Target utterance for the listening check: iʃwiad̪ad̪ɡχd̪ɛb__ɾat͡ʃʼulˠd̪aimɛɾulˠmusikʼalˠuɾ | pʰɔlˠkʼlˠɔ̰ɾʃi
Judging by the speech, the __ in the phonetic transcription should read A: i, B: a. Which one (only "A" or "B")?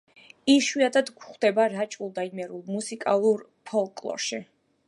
B